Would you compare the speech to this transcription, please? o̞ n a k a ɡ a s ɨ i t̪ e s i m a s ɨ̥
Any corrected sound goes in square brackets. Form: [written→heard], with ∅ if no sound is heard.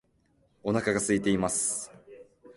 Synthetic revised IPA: o̞ n a k a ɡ a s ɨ i t̪ e [s→∅] i m a s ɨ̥